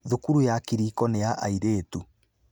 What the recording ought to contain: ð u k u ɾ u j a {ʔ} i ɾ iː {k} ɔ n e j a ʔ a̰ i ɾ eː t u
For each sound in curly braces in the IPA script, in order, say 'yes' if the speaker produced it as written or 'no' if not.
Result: no, yes

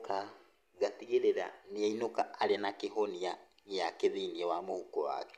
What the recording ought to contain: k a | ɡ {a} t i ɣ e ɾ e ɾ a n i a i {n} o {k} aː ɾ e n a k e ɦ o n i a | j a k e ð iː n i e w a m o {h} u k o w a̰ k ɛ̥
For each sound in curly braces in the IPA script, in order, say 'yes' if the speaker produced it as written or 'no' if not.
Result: yes, yes, yes, yes

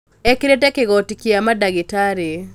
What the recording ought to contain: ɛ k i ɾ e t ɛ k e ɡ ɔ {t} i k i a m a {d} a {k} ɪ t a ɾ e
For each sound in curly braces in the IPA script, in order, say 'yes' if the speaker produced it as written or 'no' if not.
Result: yes, yes, no

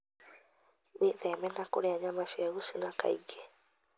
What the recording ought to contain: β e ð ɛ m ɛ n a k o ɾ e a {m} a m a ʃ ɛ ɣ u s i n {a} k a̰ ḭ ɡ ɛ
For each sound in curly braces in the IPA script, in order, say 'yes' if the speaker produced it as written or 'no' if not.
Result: no, yes

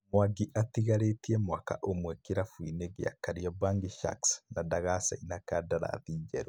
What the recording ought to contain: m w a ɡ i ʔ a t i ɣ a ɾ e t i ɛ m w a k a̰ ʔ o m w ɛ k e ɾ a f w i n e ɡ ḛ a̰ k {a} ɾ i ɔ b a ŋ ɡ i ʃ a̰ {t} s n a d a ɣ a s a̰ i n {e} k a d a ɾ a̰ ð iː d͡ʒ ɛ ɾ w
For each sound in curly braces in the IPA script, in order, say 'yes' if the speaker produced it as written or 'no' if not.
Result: yes, no, no

